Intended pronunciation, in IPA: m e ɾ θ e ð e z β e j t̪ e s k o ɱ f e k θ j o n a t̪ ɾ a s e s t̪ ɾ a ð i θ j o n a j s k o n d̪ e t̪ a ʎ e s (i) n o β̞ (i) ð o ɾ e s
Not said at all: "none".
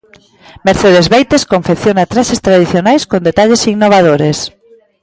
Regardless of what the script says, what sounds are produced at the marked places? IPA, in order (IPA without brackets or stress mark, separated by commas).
i, a